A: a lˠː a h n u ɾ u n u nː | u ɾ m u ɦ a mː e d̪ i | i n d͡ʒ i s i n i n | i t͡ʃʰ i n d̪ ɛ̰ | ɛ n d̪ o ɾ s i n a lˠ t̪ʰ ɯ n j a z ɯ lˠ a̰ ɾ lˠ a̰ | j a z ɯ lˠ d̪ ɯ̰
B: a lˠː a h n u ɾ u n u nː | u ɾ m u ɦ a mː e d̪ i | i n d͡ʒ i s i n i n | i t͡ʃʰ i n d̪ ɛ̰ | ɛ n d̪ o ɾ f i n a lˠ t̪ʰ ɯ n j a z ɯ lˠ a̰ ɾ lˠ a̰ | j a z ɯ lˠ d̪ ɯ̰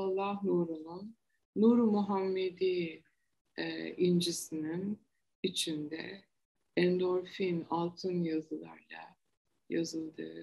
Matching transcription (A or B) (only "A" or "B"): B